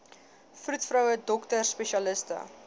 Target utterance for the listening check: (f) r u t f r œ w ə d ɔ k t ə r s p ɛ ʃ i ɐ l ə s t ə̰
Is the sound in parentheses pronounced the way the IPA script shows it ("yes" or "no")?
yes